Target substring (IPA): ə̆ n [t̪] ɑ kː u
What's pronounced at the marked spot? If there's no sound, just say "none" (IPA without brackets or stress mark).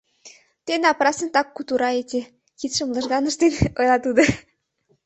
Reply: t̪